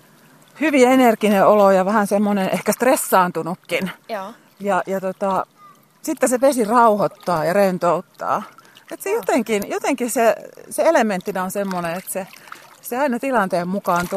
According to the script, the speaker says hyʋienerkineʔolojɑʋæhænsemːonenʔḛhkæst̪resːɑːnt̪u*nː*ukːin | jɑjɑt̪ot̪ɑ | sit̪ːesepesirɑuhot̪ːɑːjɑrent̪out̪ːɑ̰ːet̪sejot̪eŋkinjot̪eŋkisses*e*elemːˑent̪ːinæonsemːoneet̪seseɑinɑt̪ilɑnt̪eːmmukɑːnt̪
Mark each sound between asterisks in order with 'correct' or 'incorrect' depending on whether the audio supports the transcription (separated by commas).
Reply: incorrect, correct